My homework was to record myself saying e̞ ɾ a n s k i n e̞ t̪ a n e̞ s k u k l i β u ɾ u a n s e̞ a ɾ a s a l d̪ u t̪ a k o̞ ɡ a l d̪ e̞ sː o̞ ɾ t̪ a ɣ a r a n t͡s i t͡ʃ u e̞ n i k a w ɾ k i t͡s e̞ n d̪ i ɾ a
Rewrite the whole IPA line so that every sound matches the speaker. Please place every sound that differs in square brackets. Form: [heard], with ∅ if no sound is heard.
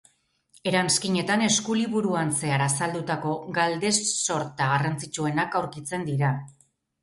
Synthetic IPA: e̞ ɾ a n s k i [ɲ] e̞ t̪ a n e̞ s k u [∅] l i β u ɾ u a n s e̞ a ɾ a s a l d̪ u t̪ a k o̞ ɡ a l d̪ e̞ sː o̞ ɾ t̪ a ɣ a r a n t͡s i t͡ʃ u e̞ n [a] k a w ɾ k i t͡s e̞ n d̪ i ɾ a